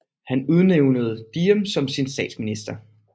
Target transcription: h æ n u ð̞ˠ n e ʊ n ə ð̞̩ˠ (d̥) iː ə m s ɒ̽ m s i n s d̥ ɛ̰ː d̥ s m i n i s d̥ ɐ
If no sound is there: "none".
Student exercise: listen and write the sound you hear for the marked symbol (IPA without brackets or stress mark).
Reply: d̥